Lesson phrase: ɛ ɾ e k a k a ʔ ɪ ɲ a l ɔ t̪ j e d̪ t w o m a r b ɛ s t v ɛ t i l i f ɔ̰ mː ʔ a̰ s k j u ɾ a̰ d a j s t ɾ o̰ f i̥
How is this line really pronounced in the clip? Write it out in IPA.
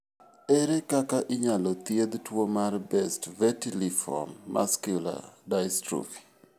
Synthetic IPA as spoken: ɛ ɾ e k a k a ʔ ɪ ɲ a l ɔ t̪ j e d̪ t w o m a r b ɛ s t v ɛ t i l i f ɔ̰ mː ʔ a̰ s k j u l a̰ d a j s t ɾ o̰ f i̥